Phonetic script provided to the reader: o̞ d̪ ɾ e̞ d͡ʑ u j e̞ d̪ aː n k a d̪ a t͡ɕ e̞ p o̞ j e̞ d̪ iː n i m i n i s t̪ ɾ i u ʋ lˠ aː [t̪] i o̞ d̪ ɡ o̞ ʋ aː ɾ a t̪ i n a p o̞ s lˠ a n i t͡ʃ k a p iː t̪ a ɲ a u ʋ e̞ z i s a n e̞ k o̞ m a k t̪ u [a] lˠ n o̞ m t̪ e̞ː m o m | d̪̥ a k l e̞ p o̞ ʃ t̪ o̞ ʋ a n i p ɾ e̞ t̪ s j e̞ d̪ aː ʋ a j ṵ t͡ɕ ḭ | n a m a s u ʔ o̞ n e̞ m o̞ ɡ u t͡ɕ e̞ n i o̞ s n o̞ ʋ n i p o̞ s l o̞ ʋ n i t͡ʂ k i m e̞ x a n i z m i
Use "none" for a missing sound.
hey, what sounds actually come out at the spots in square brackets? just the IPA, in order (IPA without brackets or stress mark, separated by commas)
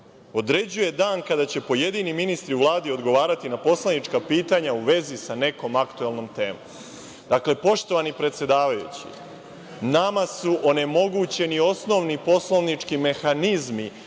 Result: d̪, e